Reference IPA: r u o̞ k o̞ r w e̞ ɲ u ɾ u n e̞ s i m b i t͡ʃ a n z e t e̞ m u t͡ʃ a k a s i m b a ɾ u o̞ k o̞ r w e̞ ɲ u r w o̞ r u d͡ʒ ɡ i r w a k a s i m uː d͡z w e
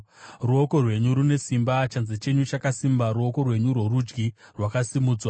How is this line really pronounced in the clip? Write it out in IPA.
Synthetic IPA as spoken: r u o̞ k o̞ r w e̞ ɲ u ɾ u n e̞ s i m b a t͡ʃ a n z e t͡ʃ e̞ ɲ u t͡ʃ a k a s i m b a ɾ u o̞ k o̞ r w e̞ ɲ u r w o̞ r u d͡ʒ ɡ i r w a k a s i m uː d͡z w a